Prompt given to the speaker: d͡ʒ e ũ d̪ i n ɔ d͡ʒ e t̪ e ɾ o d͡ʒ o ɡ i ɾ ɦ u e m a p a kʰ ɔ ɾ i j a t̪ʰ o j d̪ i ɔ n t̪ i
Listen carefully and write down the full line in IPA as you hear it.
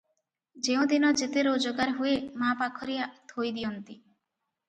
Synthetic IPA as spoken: d͡ʒ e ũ d̪ i n ɔ d͡ʒ e t̪ e ɾ o d͡ʒ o ɡ a ɾ ɦ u e m a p a kʰ ɔ ɾ i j a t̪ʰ o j d̪ i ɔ n t̪ i